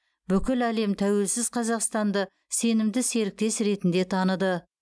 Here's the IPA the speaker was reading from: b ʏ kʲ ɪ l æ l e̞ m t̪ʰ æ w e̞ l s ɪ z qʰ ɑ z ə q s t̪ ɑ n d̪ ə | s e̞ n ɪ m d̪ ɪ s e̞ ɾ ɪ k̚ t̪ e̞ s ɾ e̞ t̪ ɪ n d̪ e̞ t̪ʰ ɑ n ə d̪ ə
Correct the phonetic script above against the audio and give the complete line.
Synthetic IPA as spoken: b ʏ kʲ ɪ l æ l e̞ m t̪ʰ æ w e̞ l s ɪ z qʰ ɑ z ɑ q s t̪ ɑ n d̪ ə | s e̞ n ɪ m d̪ ɪ s e̞ ɾ ɪ k̚ t̪ e̞ s ɾ e̞ t̪ ɪ n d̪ e̞ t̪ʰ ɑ n ə d̪ ə